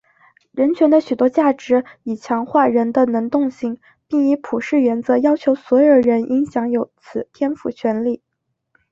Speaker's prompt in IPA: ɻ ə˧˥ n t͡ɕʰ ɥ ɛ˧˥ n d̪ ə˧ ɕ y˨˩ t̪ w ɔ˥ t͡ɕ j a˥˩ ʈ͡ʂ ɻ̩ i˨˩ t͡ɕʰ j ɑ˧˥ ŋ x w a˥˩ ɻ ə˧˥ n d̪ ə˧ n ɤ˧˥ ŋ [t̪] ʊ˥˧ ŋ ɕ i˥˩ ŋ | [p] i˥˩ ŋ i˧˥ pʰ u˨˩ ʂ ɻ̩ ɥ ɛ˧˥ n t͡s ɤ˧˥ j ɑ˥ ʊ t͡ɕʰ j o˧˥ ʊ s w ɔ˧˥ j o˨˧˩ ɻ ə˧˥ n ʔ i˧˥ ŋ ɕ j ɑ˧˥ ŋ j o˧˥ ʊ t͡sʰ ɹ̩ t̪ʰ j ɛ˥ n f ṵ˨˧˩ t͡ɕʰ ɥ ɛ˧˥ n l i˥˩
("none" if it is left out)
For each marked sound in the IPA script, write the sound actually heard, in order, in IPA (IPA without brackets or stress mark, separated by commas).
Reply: t̪, p